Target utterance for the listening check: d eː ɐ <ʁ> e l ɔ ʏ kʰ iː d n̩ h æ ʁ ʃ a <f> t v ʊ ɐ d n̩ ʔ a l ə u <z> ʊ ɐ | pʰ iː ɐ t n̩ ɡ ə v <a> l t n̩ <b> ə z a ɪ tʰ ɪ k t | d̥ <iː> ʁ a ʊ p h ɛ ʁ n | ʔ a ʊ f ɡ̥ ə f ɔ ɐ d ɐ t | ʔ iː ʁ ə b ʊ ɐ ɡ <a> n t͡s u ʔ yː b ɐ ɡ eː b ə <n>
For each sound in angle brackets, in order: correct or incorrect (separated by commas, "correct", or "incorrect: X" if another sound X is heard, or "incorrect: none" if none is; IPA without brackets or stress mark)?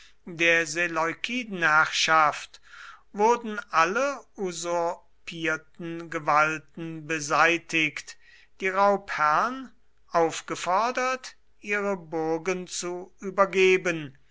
incorrect: z, correct, correct, correct, correct, correct, incorrect: ə, correct